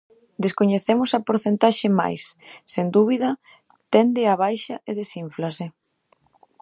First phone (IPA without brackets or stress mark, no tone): d̪